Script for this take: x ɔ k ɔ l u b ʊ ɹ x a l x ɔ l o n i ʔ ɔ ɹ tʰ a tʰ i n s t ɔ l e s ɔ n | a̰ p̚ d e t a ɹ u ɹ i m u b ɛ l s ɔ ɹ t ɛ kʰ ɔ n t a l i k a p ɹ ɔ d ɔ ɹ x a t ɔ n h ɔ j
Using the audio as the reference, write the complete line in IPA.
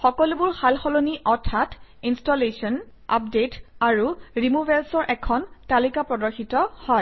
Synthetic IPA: x ɔ k ɔ l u b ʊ ɹ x a l x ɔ l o n i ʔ ɔ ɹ tʰ a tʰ i n s t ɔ l e s ɔ n | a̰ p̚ d e t a ɹ u ɹ i m u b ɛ l s ɔ ɹ ʔ ɛ kʰ ɔ n t a l i k a p ɹ ɔ d ɔ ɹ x i t ɔ h ɔ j

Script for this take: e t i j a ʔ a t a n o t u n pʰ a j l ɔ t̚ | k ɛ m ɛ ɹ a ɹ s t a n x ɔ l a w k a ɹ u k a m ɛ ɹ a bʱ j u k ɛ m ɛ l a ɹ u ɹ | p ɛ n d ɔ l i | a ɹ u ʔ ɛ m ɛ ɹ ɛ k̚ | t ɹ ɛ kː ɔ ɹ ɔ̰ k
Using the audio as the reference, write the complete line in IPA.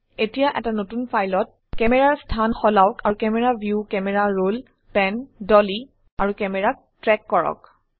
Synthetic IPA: e t i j a ʔ ɛ t a n o t u n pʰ a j l ɔ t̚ | k ɛ m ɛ ɹ a ɹ s tʰ a n x ɔ l a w k a ɹ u k ɛ m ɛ ɹ a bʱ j u k ɛ m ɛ ɹ a ɹ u l | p ɛ n d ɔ l i | a ɹ u k ɛ m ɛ ɹ a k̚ | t ɹ ɛ kː ɔ ɹ ɔ̰ k

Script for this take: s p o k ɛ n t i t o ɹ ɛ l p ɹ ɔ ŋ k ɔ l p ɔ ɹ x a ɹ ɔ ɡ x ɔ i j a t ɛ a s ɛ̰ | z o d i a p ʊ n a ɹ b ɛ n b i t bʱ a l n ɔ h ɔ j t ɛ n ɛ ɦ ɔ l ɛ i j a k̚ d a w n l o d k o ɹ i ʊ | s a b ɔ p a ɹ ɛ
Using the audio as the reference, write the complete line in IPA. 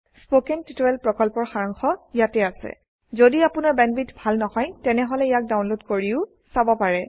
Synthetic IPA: s p o k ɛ n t i t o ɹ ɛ l p ɹ ɔ k ɔ l p ɔ ɹ x a ɹ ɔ ŋ x ɔ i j a t ɛ a s ɛ̰ | z o d i a p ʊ n a ɹ b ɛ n b i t bʱ a l n ɔ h ɔ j t ɛ n ɛ ɦ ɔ l ɛ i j a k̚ d a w n l o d k o ɹ i ʊ | s a b ɔ p a ɹ ɛ

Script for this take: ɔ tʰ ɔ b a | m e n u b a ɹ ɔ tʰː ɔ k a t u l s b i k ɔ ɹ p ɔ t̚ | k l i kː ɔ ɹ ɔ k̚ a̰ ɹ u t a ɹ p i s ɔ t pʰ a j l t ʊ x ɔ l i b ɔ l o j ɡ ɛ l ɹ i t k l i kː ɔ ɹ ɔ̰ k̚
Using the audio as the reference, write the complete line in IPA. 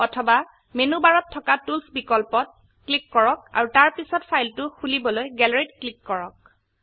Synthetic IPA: ɔ tʰ ɔ b a | m e n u b a ɹ ɔ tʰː ɔ k a t u l s b i k ɔ l p ɔ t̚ | k l i kː ɔ ɹ ɔ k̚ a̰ ɹ u t a ɹ p i s ɔ t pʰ a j l t ʊ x u l i b ɔ l o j ɡ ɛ l ɹ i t k l i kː ɔ ɹ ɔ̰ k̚

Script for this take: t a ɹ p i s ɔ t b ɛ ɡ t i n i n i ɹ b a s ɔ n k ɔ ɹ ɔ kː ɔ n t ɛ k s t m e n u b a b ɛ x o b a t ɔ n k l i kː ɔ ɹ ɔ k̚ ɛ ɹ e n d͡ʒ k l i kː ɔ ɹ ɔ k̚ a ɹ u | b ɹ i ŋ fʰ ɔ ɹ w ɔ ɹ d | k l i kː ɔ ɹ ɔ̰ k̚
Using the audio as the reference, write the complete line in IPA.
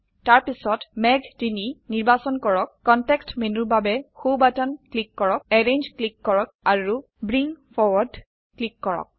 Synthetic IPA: t a ɹ p i s ɔ t m ɛ ɡ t i n i n i ɹ b a s ɔ n k ɔ ɹ ɔ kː ɔ n t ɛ k s t m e n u b a b ɛ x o b a t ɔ n k l i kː ɔ ɹ ɔ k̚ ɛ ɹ e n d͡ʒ k l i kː ɔ ɹ ɔ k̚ a ɹ u | b ɹ i ŋ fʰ ɔ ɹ w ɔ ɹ d | k l i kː ɔ ɹ ɔ̰ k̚

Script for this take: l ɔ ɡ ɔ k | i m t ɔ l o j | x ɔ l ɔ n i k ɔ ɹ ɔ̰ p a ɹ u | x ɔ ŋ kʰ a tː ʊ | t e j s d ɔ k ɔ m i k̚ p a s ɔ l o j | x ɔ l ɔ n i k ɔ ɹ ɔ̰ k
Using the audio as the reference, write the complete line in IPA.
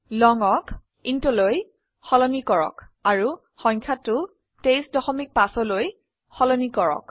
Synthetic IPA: l ɔ ŋ ɔ k | i n t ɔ l o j | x ɔ l ɔ n i k ɔ ɹ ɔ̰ k a ɹ u | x ɔ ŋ kʰ a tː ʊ | t e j s d ɔ x ɔ m i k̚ p a s ɔ l o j | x ɔ l ɔ n i k ɔ ɹ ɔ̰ k

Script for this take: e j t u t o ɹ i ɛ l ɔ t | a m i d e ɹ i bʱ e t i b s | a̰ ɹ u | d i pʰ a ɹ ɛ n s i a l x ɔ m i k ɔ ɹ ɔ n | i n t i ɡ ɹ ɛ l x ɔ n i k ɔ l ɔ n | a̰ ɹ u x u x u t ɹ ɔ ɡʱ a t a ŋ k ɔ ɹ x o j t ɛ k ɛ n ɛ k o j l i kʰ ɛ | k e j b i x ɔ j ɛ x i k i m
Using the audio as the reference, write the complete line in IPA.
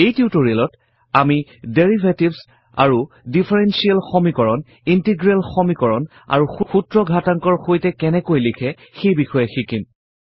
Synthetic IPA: e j t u t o ɹ i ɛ l ɔ t | a m i d e ɹ i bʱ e t i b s | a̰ ɹ u | d i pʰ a ɹ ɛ n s i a l x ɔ m i k ɔ ɹ ɔ n | i n t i ɡ ɹ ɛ l x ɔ m i k ɔ ɹ ɔ n | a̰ ɹ u x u x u t ɹ ɔ ɡʱ a t a ŋ k ɔ ɹ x o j t ɛ k ɛ n ɛ k o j l i kʰ ɛ | x e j b i x ɔ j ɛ x i k i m

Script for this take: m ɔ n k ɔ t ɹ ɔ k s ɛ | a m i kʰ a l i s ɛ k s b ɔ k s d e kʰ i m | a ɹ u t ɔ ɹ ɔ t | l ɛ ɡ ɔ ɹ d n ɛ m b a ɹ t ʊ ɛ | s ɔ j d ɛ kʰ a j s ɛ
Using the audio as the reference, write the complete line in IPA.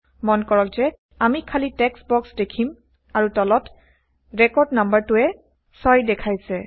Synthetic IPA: m ɔ n k ɔ ɹ ɔ k z ɛ | a m i kʰ a l i t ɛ k s b ɔ k s d e kʰ i m | a ɹ u t ɔ l ɔ t | ɹ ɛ k ɔ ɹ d n a m b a ɹ t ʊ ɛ | s ɔ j d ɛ kʰ a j s ɛ

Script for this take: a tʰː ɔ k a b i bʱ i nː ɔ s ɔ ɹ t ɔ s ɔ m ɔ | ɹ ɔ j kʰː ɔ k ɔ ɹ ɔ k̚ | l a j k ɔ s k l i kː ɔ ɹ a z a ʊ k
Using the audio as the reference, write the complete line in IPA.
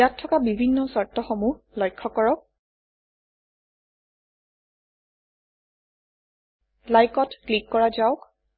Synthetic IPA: a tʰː ɔ k a b i bʱ i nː ɔ s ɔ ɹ t ɔ x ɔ m u | l ɔ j kʰː ɔ k ɔ ɹ ɔ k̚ | l a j k ɔ t k l i kː ɔ ɹ a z a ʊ k

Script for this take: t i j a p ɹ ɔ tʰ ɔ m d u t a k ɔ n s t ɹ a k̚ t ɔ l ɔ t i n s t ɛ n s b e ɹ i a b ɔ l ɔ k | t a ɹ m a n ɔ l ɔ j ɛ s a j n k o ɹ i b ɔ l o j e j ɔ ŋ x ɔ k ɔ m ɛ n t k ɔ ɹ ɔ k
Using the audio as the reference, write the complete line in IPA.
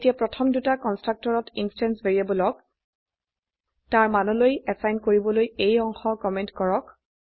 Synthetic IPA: t i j a p ɹ ɔ tʰ ɔ m d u t a k ɔ n s t ɹ a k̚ t ɔ ɹ ɔ t i n s t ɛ n s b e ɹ i a b ɔ l ɔ k | t a ɹ m a n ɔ l o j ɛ s a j n k o ɹ i b ɔ l o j e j ɔ ŋ x ɔ k ɔ m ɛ n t k ɔ ɹ ɔ k

